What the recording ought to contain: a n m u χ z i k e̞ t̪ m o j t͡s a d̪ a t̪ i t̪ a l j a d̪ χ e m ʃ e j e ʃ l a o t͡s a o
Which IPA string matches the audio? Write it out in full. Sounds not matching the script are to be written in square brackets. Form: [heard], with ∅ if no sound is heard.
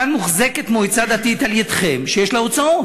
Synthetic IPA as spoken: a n m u χ z [e] k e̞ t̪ m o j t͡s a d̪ a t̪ i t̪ a l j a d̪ χ e m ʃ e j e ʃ l a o t͡s a o